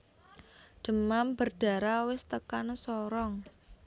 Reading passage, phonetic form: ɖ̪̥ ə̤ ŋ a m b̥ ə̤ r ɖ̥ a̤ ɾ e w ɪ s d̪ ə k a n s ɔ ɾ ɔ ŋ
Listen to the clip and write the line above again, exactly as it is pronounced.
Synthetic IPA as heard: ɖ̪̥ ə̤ m a m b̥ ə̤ r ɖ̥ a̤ ɾ a w ɪ s t̪ ə k a n s ɔ ɾ ɔ ŋ